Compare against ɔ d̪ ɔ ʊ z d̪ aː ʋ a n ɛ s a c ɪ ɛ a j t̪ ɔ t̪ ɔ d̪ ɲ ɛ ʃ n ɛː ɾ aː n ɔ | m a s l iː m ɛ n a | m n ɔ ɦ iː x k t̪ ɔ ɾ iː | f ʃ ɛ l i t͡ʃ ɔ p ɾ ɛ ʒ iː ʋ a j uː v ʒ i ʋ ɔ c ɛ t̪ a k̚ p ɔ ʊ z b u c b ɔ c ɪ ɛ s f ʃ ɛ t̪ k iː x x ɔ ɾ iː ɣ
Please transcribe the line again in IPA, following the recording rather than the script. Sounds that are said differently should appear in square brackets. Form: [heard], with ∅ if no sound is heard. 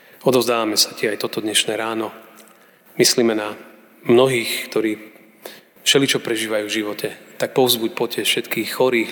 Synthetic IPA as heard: ɔ d̪ ɔ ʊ z d̪ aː ʋ a [m] ɛ s a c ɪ ɛ a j t̪ ɔ t̪ ɔ d̪ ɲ ɛ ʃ n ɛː ɾ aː n ɔ | m [i] s l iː m ɛ n a | m n ɔ ɦ iː x k t̪ ɔ ɾ iː | f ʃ ɛ l i t͡ʃ ɔ p ɾ ɛ ʒ iː ʋ a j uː v ʒ i ʋ ɔ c ɛ t̪ a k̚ p ɔ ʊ z b u c [p] ɔ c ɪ ɛ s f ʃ ɛ t̪ k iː x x ɔ ɾ iː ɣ